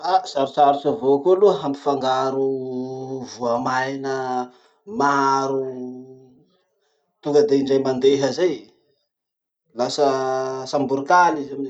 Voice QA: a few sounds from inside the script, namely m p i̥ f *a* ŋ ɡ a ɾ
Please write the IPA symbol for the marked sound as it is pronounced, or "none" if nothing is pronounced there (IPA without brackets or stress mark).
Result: a